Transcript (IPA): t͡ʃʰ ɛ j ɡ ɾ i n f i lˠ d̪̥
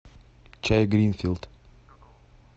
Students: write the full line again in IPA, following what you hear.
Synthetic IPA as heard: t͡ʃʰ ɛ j ɡ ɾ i n f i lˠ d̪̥

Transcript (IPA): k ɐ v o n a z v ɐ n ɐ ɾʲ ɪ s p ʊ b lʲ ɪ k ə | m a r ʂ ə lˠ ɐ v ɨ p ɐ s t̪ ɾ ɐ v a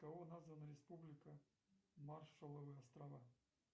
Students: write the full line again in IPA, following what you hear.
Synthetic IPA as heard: k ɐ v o n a z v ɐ n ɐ ɾʲ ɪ s p u b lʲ ɪ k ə | m a r ʂ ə lˠ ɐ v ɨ ɐ s t̪ ɾ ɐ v a

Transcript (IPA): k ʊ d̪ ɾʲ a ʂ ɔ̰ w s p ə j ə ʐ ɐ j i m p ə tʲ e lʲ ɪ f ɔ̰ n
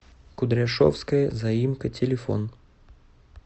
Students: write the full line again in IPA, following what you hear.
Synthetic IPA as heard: k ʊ d̪ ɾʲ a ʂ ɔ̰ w s k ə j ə z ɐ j i m k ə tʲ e lʲ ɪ f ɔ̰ n

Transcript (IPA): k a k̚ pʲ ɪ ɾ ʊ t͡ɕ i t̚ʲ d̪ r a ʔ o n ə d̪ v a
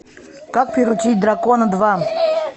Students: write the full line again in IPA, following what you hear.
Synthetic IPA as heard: k a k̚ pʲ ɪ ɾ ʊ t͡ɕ i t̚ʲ d̪ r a k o n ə d̪ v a

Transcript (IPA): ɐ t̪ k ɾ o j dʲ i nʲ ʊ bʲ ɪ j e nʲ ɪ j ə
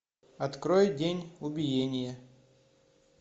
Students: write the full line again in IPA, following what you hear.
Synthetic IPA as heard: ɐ t̪ k ɾ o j dʲ e nʲ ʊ bʲ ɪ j e nʲ ɪ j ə

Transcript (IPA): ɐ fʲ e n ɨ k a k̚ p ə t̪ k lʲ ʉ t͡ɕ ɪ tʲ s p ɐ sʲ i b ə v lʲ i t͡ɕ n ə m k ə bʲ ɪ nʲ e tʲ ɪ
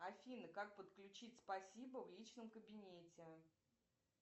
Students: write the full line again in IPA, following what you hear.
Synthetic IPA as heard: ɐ fʲ i n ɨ k a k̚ p ə t̪ k lʲ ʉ t͡ɕ i tʲ s p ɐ sʲ i b ə v lʲ i t͡ɕ n ə m k ə bʲ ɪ nʲ e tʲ ɪ

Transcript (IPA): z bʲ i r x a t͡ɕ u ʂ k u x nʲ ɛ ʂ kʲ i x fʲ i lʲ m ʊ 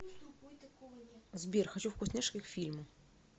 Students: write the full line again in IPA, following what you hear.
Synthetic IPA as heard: z bʲ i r x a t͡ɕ u f k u s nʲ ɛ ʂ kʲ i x fʲ i lʲ m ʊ

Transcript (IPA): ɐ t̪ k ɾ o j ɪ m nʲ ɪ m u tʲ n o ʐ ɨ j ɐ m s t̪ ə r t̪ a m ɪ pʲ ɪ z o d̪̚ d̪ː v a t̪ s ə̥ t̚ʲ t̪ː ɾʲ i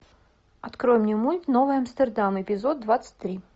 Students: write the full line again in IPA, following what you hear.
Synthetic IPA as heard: ɐ t̪ k ɾ o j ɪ m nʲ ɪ m u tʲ n o v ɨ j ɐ m s t̪ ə r d̪ a m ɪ pʲ ɪ z o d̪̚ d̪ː v a t̪ s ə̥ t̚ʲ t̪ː ɾʲ i

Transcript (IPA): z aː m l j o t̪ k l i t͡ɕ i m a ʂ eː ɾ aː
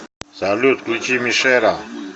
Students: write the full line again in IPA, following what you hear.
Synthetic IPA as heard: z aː l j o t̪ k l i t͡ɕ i m i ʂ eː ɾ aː

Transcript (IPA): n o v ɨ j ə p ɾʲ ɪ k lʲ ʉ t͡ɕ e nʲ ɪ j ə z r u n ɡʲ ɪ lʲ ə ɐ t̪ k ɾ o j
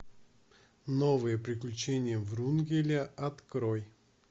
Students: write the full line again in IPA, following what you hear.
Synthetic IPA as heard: n o v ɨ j ə p ɾʲ ɪ k lʲ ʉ t͡ɕ e nʲ ɪ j ə v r u n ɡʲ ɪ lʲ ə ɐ t̪ k ɾ o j

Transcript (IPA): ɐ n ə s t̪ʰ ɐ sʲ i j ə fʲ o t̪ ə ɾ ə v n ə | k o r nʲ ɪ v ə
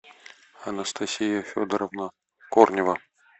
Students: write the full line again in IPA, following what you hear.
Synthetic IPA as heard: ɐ n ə s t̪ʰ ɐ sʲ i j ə fʲ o d̪ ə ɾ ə v n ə | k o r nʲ ɪ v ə

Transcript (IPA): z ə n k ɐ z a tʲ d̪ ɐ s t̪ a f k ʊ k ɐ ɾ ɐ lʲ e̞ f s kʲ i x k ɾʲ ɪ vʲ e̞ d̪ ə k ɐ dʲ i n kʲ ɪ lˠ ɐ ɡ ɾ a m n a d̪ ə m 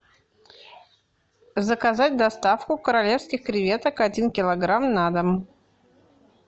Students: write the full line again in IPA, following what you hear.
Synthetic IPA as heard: z ə k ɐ z a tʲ d̪ ɐ s t̪ a f k ʊ k ə ɾ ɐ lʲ e̞ f s kʲ ɪ x k ɾʲ ɪ vʲ e̞ t̪ ə k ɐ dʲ i n kʲ ɪ lˠ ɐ ɡ ɾ a m n a d̪ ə m

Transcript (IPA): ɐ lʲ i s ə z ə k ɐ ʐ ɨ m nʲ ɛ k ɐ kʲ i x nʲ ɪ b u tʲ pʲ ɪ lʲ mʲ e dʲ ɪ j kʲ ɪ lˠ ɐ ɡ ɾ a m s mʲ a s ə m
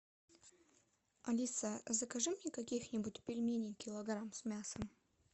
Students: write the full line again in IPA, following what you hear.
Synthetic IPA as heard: ɐ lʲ i s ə z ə k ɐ ʐ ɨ m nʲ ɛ k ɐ kʲ i x nʲ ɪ b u tʲ pʲ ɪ lʲ mʲ e nʲ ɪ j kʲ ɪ lˠ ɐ ɡ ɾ a m s mʲ a s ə m

